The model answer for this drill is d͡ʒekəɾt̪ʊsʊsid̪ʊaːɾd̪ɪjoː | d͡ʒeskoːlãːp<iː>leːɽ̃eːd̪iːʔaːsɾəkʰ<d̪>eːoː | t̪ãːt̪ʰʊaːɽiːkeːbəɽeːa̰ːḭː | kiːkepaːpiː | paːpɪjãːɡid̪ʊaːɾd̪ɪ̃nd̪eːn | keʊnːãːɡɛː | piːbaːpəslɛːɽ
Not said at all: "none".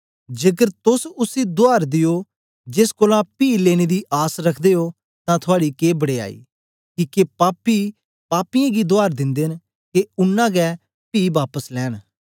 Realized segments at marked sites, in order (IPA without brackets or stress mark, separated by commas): iː, d̪